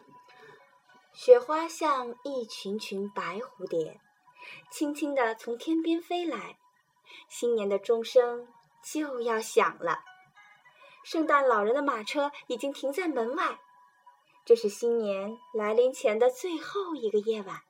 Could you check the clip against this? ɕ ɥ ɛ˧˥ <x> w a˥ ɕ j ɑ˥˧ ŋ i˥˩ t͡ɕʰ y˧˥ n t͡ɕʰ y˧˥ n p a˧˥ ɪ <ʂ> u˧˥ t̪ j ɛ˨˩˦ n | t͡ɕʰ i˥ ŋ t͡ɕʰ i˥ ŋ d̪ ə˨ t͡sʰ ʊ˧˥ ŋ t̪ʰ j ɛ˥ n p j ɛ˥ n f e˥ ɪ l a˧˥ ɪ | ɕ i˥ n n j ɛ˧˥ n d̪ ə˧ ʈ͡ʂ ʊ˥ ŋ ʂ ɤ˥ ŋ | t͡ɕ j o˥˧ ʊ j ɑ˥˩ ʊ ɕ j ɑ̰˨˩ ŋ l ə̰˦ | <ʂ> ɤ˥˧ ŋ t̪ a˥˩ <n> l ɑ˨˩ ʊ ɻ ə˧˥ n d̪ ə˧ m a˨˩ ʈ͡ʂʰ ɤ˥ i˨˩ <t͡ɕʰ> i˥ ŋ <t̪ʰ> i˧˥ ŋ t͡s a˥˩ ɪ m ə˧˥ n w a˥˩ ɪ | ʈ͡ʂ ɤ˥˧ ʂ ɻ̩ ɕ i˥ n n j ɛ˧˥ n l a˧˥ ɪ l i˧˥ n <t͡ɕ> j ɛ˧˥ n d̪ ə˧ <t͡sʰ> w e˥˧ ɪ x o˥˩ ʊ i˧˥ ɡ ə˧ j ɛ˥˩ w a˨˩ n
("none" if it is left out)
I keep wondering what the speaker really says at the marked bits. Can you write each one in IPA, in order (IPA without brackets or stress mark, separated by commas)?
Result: x, x, ʂ, n, t͡ɕ, t̪ʰ, t͡ɕʰ, t͡s